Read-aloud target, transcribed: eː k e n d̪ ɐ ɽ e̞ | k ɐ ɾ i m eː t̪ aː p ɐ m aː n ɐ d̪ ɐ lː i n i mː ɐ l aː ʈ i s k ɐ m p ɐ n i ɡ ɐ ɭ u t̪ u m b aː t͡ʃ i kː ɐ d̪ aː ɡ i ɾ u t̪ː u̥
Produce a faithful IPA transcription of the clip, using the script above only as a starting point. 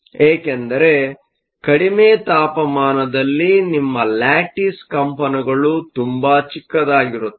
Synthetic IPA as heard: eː k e n d̪ ɐ ɾ e̞ | k ɐ ɽ i m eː t̪ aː p ɐ m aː n ɐ d̪ ɐ lː i n i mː ɐ l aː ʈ i s k ɐ m p ɐ n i ɡ ɐ ɭ u t̪ u m b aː t͡ʃ i kː ɐ d̪ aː ɡ i ɾ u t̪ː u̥